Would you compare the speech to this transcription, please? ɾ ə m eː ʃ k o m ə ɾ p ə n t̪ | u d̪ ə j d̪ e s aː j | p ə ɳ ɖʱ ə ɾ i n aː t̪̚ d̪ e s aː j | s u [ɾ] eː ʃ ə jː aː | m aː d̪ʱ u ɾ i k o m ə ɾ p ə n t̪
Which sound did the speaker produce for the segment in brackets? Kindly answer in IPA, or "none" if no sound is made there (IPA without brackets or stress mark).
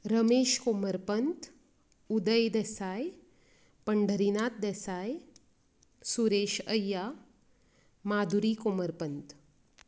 ɾ